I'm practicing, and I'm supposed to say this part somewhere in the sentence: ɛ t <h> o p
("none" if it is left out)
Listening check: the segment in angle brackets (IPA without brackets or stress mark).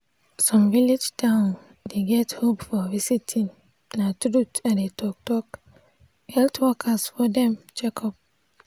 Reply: h